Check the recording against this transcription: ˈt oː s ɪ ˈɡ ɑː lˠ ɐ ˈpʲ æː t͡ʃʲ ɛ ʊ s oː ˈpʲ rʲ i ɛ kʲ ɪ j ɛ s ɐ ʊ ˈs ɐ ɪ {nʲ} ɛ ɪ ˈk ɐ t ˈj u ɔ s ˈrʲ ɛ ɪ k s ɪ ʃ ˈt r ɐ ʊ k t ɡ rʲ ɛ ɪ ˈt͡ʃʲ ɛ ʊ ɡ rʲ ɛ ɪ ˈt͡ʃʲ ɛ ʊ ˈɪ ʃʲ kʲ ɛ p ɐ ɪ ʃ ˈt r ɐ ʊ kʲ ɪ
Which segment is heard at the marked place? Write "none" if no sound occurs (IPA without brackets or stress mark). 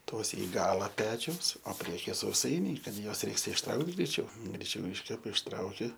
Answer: nʲ